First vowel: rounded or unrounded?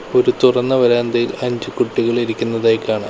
rounded